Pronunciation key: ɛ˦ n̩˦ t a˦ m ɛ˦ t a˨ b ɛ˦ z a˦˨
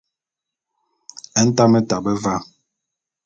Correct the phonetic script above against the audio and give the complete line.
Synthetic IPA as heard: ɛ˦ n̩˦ t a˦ m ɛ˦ t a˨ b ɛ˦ v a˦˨